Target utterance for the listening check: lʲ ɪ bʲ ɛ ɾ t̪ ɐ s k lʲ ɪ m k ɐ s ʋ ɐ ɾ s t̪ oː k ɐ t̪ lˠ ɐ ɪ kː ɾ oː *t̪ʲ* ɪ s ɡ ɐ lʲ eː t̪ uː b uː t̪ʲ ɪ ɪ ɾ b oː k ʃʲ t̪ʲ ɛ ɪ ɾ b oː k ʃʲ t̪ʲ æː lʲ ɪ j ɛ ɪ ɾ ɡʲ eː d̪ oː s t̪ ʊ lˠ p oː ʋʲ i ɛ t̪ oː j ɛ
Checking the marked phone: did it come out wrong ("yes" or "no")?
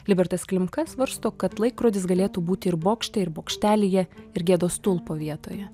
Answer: yes